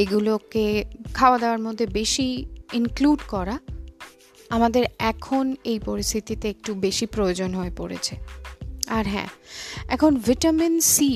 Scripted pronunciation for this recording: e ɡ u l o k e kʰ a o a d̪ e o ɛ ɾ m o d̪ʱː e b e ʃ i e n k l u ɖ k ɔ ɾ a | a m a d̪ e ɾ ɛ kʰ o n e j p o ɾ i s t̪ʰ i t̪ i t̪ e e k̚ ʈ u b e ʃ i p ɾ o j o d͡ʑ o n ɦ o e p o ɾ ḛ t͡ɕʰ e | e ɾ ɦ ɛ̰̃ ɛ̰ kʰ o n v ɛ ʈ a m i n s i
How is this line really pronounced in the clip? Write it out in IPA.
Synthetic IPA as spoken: e ɡ u l o k e kʰ a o a d̪ e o a ɾ m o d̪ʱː e b e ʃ i i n k l u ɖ k ɔ ɾ a | a m a d̪ e ɾ ɛ kʰ o n e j p o ɾ i s t̪ʰ i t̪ i t̪ e e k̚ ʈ u b e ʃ i p ɾ o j o d͡ʑ o n ɦ o e p o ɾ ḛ t͡ɕʰ e | a ɾ ɦ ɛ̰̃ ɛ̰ kʰ o n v i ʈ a m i n s i